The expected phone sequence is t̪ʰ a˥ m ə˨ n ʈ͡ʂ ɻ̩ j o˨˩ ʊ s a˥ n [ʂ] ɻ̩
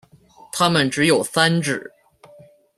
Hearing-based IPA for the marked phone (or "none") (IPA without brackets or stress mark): ʈ͡ʂ